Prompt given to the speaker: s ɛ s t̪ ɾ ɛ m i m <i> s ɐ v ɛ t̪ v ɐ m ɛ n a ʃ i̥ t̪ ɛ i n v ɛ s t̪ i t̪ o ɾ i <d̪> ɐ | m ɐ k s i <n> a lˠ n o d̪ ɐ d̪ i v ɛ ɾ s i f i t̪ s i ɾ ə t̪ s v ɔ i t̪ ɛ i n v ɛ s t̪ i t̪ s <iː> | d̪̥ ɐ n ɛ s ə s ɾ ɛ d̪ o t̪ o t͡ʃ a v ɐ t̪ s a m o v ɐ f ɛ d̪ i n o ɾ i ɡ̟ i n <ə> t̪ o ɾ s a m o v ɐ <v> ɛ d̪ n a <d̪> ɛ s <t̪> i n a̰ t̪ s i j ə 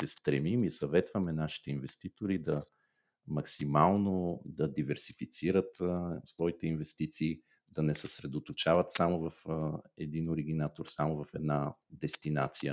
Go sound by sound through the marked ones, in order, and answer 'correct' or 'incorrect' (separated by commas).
correct, correct, incorrect, correct, incorrect, incorrect, correct, correct